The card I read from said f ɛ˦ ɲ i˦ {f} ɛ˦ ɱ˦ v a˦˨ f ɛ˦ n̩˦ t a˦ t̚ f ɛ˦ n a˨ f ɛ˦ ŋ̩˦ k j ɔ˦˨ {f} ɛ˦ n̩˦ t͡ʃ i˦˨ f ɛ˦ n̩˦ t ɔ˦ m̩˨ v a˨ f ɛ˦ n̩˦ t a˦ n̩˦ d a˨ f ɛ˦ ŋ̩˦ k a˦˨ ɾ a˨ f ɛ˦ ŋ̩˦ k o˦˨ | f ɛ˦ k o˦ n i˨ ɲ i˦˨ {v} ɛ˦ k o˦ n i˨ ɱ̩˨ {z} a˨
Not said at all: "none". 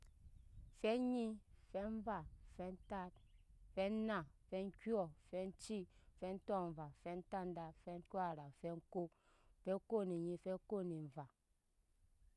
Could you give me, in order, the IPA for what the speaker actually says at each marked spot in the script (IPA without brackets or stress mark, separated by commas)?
f, f, f, v